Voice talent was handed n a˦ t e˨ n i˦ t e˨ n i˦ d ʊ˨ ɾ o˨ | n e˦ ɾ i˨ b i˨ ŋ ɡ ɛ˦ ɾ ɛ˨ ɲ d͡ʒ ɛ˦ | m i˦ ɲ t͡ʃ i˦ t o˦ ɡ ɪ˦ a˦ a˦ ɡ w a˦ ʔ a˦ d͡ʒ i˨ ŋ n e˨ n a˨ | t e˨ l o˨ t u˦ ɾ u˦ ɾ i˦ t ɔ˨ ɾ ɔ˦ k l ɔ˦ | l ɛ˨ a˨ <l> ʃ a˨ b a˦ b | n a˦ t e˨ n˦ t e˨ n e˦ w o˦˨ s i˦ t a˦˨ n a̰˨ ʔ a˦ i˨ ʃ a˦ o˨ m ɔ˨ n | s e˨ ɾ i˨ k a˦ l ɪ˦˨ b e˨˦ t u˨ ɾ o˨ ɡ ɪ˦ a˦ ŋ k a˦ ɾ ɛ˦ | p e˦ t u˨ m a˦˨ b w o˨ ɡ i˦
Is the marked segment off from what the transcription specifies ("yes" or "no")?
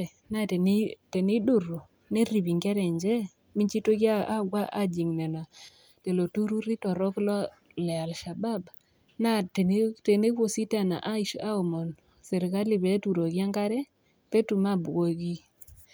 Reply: no